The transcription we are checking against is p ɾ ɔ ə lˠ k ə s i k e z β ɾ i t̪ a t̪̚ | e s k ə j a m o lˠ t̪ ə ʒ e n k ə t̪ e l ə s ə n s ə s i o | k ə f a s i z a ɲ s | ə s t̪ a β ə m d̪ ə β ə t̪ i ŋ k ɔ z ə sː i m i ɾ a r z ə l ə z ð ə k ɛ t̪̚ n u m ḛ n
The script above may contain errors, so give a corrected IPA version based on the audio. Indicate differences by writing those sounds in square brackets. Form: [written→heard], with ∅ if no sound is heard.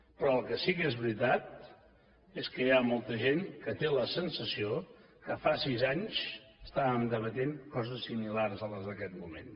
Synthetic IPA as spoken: p ɾ ɔ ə lˠ k ə s i k e z β ɾ i t̪ a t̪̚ | e s k ə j a m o lˠ t̪ ə ʒ e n k ə t̪ e l ə s ə n s ə s i o | k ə f a s i z a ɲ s | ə s t̪ a β ə m d̪ ə β ə t̪ [i→e] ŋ k ɔ z ə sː i m i [ɾ→l] a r z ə l ə z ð ə k ɛ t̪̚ [n→m] u m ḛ n

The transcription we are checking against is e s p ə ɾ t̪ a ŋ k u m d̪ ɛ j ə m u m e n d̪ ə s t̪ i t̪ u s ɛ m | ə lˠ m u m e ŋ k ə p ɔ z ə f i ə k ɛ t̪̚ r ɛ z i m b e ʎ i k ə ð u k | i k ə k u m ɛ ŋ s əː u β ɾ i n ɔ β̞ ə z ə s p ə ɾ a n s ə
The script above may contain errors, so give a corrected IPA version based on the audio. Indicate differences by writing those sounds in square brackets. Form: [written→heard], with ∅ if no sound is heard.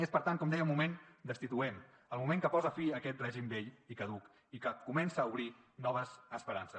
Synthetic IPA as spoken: e s p ə ɾ t̪ a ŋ k [u→ɔ] m d̪ ɛ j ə m u m e n d̪ ə s t̪ i t̪ u [s→∅] ɛ m | ə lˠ m u m e ŋ k ə p ɔ z ə f i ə k ɛ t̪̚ r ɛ [z→ʒ] i m b e ʎ i k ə ð u k | i k ə k u m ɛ [ŋ→n] s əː u β ɾ i n ɔ β̞ ə z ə s p ə ɾ a n s ə

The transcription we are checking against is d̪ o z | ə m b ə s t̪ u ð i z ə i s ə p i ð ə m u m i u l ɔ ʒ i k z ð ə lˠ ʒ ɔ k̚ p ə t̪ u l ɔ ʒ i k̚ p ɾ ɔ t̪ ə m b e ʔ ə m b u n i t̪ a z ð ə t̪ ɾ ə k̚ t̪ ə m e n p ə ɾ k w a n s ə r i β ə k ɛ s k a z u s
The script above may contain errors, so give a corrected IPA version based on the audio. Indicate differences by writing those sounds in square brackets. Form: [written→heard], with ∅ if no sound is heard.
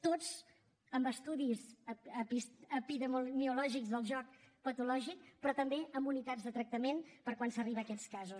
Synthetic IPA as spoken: [d̪→t̪] o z | ə m b ə s t̪ u ð i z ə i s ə p i ð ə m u m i u l ɔ ʒ i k z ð ə lˠ ʒ ɔ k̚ p ə t̪ u l ɔ ʒ i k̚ p ɾ ɔ t̪ ə m b e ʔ ə m b u n i t̪ a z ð ə t̪ ɾ ə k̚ t̪ ə m e n p ə ɾ k w a n s ə r i β ə k ɛ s k a z u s

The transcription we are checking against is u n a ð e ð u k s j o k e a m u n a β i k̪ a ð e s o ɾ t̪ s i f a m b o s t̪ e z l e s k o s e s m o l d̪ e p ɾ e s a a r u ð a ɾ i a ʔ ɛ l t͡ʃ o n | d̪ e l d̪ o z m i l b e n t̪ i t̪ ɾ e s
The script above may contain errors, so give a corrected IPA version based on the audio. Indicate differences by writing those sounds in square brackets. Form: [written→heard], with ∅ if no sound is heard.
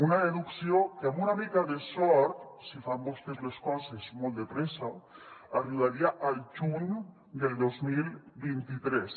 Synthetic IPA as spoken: u n a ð e ð u k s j o k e a m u n a β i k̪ a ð e s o ɾ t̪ s i f a m b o s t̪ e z l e s k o s e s m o l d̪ e p ɾ e s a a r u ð a ɾ i a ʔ [ɛ→a] l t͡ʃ [o→u] n | d̪ e l d̪ o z m i l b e n t̪ i t̪ ɾ e s

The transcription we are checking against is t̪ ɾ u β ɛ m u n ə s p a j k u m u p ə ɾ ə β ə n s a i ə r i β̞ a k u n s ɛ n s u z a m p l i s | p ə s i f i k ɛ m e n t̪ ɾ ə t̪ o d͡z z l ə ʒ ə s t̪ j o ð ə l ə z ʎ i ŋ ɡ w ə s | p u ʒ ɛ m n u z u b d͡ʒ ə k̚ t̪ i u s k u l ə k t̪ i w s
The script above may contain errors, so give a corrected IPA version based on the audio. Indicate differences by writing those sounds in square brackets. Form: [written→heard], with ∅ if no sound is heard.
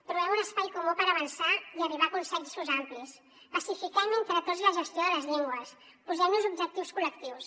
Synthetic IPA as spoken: t̪ ɾ u β ɛ m u n ə s p a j k u m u p ə ɾ ə β ə n s a i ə r i β̞ a k u n s ɛ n s u z a m p l i s | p ə s i f i k ɛ m e n t̪ ɾ ə t̪ o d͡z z l ə ʒ ə s t̪ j o ð ə l ə z ʎ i ŋ ɡ w ə s | p u [ʒ→z] ɛ m n u z u b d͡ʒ ə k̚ t̪ i [u→w] s k u l ə k t̪ i w s

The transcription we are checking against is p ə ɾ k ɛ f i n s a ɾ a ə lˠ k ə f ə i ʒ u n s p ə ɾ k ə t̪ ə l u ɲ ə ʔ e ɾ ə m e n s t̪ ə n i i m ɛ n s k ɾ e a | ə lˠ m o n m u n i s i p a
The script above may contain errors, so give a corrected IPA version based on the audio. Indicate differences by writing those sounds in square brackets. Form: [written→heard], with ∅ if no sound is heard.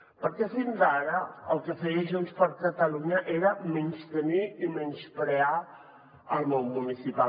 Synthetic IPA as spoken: p ə ɾ k ɛ f i n [s→z] a ɾ [a→ə] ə lˠ k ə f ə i ʒ u n s p ə ɾ k ə t̪ ə l u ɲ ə ʔ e ɾ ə m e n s t̪ ə n i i m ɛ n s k ɾ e a | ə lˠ m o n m u n i s i p a

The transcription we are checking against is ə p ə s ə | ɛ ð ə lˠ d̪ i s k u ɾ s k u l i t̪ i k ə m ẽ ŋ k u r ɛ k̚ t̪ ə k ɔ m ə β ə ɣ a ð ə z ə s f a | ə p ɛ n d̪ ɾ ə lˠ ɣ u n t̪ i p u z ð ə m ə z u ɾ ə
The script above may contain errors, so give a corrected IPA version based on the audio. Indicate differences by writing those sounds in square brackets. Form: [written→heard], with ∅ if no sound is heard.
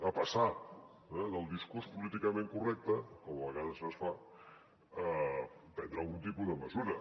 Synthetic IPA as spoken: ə p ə s [ə→a] | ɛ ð ə lˠ d̪ i s k u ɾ s [k→p] u l i t̪ i k ə m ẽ ŋ k u r ɛ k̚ t̪ ə k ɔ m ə β ə ɣ a ð ə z ə s f a | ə p ɛ n d̪ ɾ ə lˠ ɣ u n t̪ i p u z ð ə m ə z u ɾ ə

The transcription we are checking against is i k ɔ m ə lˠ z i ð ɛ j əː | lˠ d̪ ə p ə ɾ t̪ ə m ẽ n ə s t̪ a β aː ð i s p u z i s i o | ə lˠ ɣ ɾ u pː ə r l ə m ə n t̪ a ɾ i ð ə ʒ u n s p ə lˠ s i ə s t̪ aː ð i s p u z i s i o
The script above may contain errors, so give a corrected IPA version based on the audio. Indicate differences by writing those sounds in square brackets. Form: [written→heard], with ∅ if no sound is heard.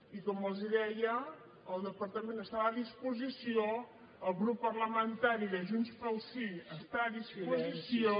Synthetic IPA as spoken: i k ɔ m ə lˠ z i ð ɛ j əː | lˠ d̪ ə p ə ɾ t̪ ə m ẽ n ə s t̪ a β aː ð i s p u z i s i o | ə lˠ ɣ ɾ u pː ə r l ə m ə n t̪ a ɾ i ð ə ʒ u n s p ə lˠ s i ə s t̪ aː ð i s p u z i s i o

